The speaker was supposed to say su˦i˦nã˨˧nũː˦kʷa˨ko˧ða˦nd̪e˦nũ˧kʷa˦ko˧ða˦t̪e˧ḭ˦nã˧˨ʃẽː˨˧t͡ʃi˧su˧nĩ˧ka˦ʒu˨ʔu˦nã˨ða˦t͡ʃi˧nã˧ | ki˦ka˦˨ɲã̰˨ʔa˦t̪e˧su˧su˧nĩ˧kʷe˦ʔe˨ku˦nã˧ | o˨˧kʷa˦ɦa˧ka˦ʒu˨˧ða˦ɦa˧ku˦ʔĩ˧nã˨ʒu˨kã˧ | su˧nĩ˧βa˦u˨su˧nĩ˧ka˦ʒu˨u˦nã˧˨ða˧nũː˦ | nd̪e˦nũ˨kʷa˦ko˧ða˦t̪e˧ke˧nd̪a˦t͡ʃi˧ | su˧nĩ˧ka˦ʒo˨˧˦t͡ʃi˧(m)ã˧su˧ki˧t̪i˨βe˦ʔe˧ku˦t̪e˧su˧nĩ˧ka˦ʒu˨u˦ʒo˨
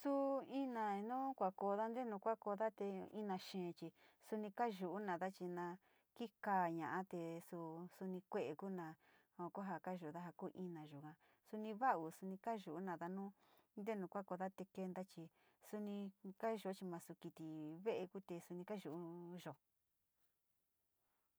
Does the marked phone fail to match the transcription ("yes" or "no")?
no